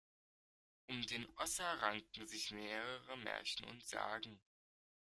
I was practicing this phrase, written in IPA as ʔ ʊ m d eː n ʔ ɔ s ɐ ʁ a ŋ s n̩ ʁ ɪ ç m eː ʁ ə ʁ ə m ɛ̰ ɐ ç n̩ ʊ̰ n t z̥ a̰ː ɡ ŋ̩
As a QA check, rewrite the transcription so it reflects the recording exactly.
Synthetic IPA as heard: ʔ ʊ m d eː n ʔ ɔ s ɐ ʁ a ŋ t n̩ z ɪ ç m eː ʁ ə ʁ ə m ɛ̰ ɐ ç n̩ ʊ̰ n t z̥ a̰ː ɡ ŋ̩